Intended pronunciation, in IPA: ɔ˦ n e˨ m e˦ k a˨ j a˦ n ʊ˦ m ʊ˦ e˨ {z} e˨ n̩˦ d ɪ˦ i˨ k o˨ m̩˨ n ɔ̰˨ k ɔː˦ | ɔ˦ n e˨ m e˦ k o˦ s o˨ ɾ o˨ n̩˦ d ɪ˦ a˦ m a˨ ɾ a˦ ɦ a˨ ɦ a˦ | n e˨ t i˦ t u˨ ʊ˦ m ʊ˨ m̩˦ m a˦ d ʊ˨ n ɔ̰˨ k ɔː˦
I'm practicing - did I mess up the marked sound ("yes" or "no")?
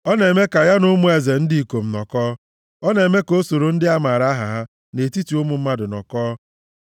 no